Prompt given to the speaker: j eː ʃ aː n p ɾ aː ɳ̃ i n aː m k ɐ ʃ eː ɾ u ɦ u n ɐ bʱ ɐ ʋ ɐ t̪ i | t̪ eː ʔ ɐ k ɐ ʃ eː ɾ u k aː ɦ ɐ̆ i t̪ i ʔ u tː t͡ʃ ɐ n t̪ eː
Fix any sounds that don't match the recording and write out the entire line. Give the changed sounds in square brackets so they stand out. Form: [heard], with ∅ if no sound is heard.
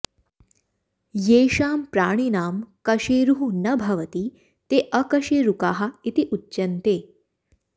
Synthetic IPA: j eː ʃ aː [m] p ɾ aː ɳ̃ i n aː m k ɐ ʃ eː ɾ u ɦ u n ɐ bʱ ɐ ʋ ɐ t̪ i | t̪ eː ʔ ɐ k ɐ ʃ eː ɾ u k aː ɦ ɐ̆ i t̪ i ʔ u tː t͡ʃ ɐ n t̪ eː